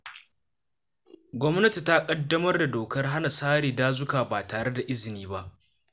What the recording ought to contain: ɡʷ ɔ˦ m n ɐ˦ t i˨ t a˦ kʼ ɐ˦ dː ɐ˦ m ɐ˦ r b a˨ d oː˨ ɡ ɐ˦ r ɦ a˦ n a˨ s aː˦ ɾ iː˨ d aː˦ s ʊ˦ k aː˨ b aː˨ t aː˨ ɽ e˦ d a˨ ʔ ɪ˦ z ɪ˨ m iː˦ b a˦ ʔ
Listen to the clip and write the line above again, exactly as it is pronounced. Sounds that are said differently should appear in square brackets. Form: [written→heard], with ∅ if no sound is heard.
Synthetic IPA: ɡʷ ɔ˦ m n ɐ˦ t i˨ t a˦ kʼ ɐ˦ dː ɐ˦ m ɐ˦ r [b→d] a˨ d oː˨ [ɡ→k] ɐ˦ r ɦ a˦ n a˨ s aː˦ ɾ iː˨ d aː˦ [s→z] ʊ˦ k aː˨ b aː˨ t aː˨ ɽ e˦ d a˨ ʔ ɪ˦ z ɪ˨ [m→n] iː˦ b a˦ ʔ

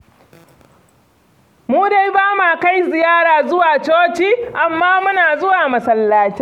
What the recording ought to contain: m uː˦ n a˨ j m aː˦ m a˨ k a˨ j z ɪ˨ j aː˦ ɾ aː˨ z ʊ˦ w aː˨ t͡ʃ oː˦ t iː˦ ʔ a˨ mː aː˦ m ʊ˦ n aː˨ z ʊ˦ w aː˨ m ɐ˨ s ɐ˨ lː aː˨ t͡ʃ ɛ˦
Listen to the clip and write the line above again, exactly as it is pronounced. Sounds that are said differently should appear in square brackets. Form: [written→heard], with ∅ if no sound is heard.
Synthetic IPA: m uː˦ [n→d] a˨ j [m→b] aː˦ m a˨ k [a˨→a˦] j z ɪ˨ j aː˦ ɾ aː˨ z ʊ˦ w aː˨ t͡ʃ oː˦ [t→t͡ʃ] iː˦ ʔ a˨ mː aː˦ m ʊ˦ n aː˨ z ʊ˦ w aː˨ m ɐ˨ s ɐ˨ lː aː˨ t͡ʃ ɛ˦

